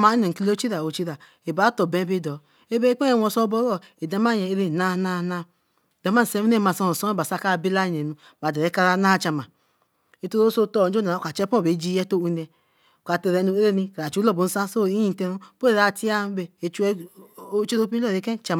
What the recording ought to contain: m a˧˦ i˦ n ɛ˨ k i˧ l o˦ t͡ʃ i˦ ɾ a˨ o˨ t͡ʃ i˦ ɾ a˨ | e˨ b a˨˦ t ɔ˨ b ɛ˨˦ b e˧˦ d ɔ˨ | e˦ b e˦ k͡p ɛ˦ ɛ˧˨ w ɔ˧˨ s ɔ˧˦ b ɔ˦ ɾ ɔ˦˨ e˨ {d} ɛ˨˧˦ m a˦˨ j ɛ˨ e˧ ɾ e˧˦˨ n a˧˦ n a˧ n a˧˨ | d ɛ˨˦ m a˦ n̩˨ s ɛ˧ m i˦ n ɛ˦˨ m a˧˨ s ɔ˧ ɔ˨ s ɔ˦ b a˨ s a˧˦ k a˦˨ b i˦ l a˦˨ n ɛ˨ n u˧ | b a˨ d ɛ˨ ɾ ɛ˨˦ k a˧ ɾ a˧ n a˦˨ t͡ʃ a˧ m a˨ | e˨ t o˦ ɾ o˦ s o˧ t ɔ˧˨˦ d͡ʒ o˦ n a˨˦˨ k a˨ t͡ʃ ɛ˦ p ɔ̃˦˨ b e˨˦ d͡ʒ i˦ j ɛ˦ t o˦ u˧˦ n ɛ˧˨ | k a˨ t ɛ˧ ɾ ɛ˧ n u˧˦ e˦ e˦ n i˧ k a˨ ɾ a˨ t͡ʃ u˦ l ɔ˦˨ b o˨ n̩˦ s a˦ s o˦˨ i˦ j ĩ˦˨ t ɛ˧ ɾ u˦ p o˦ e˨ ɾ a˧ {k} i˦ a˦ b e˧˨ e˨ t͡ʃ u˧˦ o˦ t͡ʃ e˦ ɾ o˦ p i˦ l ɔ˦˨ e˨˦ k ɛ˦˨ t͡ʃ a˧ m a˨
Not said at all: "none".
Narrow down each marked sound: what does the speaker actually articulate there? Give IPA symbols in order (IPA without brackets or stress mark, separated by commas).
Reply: d, t